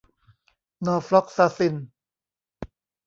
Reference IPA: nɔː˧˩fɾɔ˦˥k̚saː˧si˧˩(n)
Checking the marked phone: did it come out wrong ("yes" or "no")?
no